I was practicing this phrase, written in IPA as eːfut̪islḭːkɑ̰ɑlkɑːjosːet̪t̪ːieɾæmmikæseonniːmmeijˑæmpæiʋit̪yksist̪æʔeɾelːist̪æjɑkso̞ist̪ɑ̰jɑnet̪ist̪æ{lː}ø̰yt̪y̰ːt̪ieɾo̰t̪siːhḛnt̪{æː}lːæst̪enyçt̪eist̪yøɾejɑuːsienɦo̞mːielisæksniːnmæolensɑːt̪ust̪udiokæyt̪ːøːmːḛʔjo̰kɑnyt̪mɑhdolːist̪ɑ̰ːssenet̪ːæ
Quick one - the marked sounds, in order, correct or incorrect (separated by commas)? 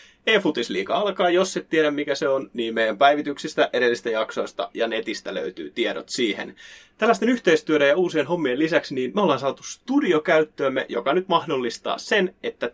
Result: incorrect, incorrect